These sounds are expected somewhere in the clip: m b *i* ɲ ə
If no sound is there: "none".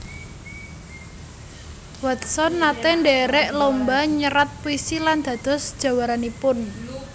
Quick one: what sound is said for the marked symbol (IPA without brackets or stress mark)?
a